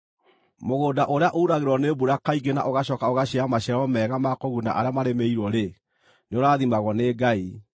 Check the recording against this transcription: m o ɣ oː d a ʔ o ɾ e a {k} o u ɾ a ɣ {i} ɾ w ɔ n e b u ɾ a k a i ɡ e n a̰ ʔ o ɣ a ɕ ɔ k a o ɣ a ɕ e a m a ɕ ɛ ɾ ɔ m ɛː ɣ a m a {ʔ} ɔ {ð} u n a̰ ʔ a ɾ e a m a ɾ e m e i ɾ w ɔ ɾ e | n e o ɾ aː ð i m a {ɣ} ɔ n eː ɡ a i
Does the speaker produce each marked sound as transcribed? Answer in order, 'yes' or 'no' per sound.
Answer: no, no, no, no, yes

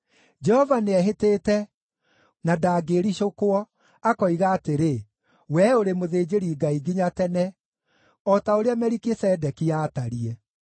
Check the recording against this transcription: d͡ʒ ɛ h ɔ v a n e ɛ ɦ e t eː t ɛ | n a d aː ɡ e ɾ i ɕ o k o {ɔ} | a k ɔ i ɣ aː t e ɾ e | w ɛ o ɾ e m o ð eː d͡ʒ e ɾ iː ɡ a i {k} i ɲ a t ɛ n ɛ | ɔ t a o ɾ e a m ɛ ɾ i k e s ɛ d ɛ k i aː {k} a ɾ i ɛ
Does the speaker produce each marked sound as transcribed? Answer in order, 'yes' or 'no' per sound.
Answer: yes, no, no

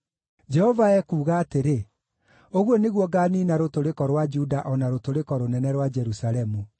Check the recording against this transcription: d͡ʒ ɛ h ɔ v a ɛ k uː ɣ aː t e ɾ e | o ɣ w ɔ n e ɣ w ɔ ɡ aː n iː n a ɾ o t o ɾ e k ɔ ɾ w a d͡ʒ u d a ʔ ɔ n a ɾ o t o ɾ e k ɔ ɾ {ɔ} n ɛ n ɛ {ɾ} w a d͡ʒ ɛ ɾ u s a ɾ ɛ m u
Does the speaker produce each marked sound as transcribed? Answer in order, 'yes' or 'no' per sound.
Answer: no, yes

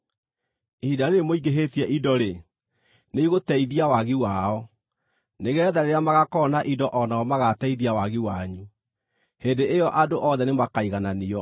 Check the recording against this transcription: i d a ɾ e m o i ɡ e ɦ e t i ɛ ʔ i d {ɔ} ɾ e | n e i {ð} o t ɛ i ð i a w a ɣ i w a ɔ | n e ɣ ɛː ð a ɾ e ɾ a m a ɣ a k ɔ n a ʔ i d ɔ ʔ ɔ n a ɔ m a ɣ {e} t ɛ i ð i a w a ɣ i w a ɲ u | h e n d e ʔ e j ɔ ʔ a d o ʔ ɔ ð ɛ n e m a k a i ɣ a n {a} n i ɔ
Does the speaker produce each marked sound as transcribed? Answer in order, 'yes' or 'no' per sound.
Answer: yes, no, no, yes

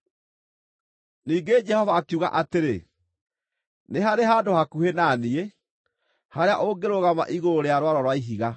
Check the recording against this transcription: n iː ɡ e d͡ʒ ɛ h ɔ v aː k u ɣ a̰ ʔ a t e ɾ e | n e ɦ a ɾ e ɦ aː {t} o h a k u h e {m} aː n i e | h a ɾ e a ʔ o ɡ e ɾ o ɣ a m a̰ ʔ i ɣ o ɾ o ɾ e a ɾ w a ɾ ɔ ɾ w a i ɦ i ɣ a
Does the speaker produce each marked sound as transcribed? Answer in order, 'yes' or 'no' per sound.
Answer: no, no

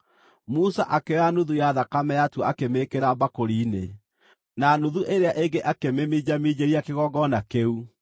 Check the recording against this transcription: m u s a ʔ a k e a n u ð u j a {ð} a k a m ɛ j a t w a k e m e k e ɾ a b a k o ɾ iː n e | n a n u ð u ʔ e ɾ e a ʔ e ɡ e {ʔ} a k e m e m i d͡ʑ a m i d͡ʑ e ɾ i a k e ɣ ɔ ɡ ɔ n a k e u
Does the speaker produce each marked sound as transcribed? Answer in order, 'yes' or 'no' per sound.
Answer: yes, yes

